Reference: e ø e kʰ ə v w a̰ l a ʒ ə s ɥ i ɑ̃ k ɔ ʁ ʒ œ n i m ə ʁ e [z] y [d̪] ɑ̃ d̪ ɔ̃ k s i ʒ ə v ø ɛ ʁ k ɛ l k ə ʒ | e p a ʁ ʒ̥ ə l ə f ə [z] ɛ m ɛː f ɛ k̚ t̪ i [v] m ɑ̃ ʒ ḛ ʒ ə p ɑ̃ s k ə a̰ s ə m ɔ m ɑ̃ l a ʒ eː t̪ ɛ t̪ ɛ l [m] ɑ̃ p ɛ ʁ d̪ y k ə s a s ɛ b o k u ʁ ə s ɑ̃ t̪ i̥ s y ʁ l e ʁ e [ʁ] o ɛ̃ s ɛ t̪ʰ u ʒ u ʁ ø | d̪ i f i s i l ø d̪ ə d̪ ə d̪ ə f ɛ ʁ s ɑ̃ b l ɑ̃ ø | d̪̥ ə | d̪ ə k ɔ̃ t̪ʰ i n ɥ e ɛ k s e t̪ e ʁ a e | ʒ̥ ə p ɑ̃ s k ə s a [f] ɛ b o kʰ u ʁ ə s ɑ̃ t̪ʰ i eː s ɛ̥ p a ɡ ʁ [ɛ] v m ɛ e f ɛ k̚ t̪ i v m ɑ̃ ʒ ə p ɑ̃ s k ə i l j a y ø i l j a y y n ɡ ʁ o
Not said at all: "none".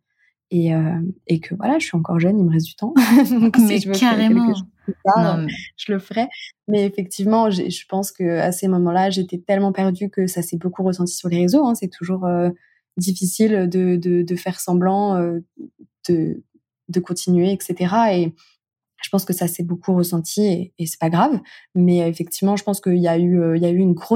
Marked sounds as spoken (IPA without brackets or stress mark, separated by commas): z, t̪, ʁ, v, m, z, s, a